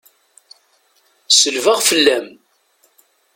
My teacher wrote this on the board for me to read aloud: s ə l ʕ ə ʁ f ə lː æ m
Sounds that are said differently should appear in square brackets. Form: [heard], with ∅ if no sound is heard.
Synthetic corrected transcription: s ə l [v] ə ʁ f ə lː æ m

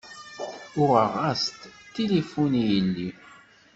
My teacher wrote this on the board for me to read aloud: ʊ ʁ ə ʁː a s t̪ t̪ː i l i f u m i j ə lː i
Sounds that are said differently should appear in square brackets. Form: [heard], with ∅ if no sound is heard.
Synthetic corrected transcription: ʊ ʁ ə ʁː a s t̪ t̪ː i l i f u [n] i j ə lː i

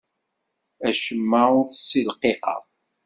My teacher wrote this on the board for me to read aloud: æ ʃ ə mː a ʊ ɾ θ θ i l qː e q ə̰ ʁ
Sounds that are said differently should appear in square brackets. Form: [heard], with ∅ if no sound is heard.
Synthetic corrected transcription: æ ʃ ə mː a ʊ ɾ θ [s] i l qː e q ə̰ ʁ

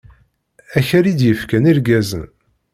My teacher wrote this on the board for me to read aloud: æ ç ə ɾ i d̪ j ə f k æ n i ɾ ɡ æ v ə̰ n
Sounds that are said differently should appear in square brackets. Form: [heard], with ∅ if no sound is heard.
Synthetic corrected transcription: æ ç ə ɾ i d̪ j ə f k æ n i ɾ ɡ æ [z] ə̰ n

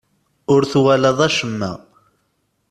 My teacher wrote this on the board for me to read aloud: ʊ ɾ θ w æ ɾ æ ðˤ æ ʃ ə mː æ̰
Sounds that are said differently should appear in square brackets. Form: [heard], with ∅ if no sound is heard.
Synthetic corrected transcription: ʊ ɾ θ w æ [l] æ ðˤ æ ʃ ə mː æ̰

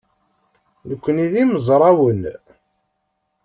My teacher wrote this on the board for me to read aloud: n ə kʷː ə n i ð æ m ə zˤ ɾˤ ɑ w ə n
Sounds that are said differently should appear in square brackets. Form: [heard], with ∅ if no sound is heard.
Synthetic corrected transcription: n ə kʷː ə n i ð [i] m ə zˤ ɾˤ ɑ w ə n

